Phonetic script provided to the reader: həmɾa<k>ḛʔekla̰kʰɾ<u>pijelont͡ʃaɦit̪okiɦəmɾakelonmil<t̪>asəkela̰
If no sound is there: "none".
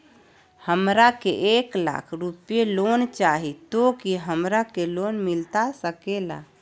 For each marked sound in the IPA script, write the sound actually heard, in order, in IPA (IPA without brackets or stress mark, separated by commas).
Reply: k, u, t̪